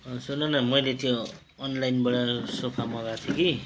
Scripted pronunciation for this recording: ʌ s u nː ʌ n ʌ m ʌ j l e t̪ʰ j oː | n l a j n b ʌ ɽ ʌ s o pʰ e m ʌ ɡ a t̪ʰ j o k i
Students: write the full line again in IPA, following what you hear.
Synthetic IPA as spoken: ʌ s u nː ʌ n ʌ m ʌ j l e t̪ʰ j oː | n l a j n b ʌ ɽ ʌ s o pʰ a m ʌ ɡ a t̪ʰ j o k i